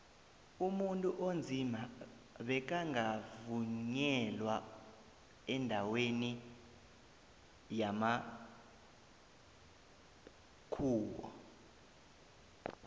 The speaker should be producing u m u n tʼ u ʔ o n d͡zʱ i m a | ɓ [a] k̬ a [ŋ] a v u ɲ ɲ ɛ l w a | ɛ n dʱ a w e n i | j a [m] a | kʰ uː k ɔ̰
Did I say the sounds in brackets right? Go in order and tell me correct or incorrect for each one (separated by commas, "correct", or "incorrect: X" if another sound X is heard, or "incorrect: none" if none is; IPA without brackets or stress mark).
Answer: incorrect: ɛ, correct, correct